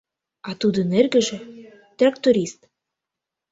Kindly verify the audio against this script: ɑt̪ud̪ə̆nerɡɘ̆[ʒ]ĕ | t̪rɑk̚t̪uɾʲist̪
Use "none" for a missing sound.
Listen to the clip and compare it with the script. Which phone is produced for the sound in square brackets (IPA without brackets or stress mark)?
ʒ